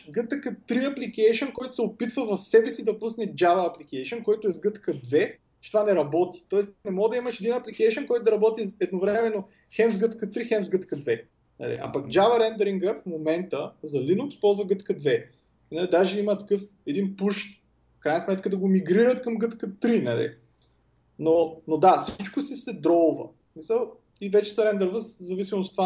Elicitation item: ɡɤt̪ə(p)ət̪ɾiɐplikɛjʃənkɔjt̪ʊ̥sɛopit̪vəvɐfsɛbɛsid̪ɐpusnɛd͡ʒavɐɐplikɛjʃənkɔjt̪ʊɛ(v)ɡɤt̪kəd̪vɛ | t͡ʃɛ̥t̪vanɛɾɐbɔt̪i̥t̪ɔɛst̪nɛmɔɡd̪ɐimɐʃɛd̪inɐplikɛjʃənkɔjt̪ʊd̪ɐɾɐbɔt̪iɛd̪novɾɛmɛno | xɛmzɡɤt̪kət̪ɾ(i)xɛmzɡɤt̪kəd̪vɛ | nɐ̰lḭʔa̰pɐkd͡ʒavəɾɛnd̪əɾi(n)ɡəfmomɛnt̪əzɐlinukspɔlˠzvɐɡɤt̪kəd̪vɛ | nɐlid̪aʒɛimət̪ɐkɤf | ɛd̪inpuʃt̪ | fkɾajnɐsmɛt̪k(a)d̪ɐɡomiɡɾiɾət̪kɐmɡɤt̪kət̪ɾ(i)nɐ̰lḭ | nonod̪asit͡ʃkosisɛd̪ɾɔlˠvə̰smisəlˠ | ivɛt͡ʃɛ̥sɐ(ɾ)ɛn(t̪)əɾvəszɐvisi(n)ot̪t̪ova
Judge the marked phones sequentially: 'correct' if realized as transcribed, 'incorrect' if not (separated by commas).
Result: incorrect, incorrect, correct, incorrect, incorrect, correct, correct, incorrect, incorrect